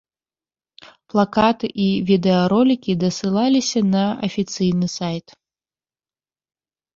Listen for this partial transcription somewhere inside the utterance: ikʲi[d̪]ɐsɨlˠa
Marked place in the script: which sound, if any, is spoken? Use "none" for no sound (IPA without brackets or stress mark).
d̪